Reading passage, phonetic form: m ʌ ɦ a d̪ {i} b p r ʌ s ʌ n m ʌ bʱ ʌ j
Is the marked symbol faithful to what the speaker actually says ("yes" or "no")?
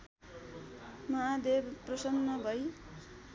no